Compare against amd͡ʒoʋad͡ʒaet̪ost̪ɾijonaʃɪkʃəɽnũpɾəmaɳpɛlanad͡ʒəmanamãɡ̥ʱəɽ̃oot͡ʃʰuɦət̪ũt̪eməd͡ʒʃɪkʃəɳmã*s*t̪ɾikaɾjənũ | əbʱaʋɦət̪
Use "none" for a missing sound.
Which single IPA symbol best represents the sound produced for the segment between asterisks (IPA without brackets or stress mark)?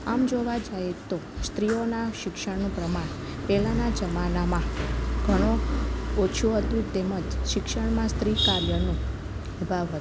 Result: s